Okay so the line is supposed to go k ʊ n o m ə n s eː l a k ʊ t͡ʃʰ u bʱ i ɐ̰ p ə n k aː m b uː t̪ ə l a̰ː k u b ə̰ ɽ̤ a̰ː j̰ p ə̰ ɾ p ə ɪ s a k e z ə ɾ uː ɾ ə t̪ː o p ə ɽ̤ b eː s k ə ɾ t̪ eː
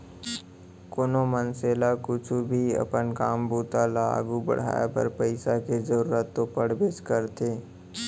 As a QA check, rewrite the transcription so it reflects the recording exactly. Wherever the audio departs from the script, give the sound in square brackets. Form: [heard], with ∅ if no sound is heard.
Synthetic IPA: k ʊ n o m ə n s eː l a k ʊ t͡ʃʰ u bʱ i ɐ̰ p ə n k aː m b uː t̪ [a] l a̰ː [ɡ] u b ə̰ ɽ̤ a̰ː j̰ p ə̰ ɾ p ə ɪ s a k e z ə ɾ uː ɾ ə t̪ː o p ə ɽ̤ b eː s k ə ɾ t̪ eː

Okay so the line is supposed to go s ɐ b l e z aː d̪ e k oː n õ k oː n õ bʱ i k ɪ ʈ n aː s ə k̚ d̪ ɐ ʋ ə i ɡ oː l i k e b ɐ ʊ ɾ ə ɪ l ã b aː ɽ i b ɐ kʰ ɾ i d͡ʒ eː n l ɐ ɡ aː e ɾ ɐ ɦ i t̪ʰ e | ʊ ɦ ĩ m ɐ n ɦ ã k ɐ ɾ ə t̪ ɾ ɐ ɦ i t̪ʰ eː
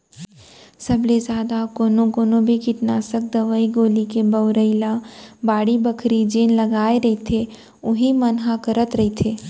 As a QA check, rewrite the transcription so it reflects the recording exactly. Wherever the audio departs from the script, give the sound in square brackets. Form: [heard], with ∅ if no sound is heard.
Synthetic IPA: s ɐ b l e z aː d̪ [a] k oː n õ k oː n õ bʱ i k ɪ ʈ n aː s ə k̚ d̪ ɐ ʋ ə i ɡ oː l i k e b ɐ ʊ ɾ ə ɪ l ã b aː ɽ i b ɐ kʰ ɾ i d͡ʒ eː n l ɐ ɡ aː e ɾ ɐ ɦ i t̪ʰ e | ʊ ɦ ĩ m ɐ n ɦ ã k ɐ ɾ ə t̪ ɾ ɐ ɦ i t̪ʰ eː

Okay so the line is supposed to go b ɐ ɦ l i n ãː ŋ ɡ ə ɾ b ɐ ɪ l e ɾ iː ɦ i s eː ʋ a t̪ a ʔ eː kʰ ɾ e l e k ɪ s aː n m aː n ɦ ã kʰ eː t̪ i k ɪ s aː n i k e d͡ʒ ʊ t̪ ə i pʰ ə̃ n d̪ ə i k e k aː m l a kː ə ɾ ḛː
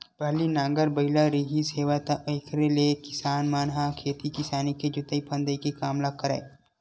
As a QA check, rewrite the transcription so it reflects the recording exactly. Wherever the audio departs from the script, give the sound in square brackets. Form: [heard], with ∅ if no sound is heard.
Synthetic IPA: b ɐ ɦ l i n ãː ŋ ɡ ə ɾ b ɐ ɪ l [a] ɾ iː ɦ i s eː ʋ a t̪ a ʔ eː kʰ ɾ e l e k ɪ s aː n m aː n ɦ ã kʰ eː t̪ i k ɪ s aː n i k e d͡ʒ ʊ t̪ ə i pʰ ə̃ n d̪ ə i k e k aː m l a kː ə ɾ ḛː

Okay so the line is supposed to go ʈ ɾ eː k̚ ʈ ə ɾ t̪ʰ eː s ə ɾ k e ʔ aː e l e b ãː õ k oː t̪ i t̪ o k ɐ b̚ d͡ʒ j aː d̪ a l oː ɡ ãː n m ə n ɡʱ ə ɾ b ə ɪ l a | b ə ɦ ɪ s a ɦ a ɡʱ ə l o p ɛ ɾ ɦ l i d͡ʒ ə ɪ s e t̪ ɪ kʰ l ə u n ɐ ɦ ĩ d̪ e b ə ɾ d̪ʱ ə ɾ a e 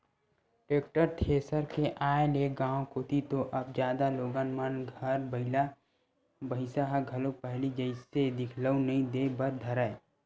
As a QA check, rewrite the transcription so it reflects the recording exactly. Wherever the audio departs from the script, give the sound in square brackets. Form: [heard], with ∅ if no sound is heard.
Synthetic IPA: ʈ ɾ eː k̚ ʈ ə ɾ t̪ʰ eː s ə ɾ k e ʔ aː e l e [ɡ] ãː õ k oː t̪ i t̪ o [ʔ] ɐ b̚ d͡ʒ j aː d̪ a l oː ɡ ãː n m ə n ɡʱ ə ɾ b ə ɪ l a | b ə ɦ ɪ s a ɦ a ɡʱ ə l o p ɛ [∅] ɦ l i d͡ʒ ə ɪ s e [d̪] ɪ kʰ l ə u n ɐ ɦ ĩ d̪ e b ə ɾ d̪ʱ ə ɾ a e

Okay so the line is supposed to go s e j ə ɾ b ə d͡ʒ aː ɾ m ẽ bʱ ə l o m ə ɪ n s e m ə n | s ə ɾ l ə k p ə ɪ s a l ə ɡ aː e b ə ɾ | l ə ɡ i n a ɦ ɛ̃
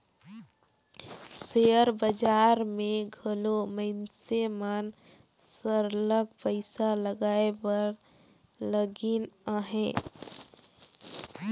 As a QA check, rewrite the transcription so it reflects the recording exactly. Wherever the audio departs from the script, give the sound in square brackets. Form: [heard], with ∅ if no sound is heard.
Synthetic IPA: s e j ə ɾ b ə d͡ʒ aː ɾ m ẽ [ɡʱ] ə l o m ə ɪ n s e m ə n | s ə ɾ l ə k p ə ɪ s a l ə ɡ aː e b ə ɾ | l ə ɡ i n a ɦ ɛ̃

